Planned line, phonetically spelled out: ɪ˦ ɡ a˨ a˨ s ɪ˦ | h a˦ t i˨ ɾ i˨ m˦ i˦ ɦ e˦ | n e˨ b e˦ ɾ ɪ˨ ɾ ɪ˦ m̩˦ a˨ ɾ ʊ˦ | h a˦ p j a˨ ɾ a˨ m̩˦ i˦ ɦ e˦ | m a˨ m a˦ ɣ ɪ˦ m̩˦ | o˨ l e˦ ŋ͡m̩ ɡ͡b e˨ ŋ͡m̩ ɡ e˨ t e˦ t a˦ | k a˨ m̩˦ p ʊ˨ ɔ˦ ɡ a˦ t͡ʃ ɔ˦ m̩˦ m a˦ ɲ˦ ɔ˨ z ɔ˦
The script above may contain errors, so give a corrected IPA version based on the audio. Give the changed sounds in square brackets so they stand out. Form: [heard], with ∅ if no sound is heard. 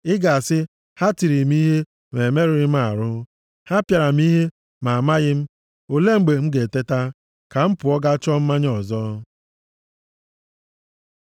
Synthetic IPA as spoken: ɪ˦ ɡ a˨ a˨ s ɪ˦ | h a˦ t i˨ ɾ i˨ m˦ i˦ ɦ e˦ | [m] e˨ [m] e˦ ɾ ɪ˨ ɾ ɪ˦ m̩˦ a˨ ɾ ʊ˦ | h a˦ p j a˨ ɾ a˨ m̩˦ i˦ ɦ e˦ | m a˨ m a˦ ɣ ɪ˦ m̩˦ | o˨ l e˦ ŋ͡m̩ ɡ͡b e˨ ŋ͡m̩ ɡ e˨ t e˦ t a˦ | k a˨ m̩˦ p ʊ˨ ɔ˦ ɡ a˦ t͡ʃ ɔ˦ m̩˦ m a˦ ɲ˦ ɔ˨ z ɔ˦